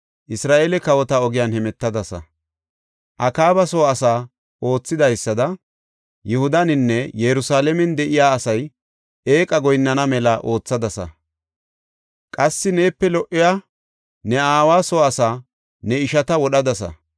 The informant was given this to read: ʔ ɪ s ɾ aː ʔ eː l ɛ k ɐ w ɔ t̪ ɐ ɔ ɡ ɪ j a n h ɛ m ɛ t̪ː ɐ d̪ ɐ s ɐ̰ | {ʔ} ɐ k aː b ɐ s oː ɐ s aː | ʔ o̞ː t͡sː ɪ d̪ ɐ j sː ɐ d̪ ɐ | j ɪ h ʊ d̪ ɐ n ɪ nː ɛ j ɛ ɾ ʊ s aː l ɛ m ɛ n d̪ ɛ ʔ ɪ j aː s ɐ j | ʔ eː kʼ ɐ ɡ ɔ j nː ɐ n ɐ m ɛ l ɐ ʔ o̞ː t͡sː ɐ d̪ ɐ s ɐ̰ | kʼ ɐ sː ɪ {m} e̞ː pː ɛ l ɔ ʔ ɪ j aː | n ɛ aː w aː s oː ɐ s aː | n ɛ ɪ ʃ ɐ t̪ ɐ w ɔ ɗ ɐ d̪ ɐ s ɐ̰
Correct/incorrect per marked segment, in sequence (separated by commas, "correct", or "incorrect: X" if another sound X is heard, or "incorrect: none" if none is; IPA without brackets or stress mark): correct, incorrect: n